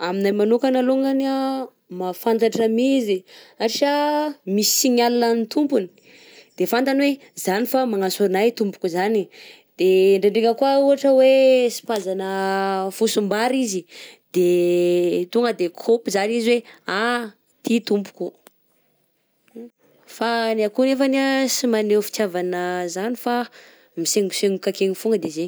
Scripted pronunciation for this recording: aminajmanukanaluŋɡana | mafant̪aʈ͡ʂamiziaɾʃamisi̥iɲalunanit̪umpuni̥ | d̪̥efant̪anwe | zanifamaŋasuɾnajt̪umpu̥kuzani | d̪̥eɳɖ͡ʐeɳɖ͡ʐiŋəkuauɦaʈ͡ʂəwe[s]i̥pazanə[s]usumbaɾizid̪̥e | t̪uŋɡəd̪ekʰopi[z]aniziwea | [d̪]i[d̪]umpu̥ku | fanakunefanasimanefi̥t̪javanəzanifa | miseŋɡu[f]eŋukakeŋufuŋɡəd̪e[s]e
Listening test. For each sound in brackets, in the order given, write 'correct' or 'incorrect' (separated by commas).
correct, incorrect, correct, incorrect, incorrect, incorrect, incorrect